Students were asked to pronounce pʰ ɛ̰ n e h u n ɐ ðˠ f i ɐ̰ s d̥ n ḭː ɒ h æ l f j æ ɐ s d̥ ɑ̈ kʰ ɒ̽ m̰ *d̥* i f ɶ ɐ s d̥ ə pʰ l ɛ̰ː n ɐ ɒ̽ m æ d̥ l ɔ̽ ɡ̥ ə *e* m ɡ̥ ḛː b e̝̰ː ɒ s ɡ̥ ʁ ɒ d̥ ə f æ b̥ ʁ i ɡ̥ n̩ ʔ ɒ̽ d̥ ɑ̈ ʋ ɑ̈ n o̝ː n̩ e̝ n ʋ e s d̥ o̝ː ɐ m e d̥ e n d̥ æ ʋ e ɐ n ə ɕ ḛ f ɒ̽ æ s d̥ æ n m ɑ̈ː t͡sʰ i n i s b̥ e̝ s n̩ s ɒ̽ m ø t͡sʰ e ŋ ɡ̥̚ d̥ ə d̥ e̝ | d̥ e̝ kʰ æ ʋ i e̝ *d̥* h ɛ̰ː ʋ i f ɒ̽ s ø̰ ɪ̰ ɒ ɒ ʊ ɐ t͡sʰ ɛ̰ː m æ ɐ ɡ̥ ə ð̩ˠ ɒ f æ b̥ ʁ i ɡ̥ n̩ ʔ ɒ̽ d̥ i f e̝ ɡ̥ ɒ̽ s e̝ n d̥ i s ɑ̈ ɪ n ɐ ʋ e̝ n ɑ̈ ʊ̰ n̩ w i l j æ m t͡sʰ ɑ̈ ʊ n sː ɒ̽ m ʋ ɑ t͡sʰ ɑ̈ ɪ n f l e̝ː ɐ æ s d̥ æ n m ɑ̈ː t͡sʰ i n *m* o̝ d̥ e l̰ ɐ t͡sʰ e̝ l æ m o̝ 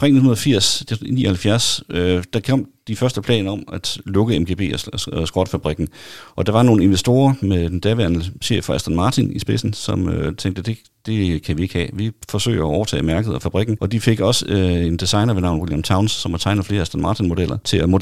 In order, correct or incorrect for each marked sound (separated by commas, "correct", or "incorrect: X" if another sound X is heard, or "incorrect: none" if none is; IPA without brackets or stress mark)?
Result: correct, correct, incorrect: ɡ̥, correct